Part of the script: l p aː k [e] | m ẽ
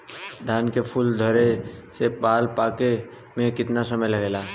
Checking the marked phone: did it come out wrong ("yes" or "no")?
no